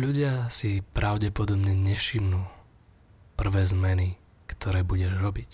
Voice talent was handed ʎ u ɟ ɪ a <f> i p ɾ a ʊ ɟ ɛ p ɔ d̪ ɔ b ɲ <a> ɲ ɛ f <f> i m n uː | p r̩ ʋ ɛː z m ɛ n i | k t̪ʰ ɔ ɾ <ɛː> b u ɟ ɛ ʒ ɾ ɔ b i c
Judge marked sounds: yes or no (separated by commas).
no, no, no, yes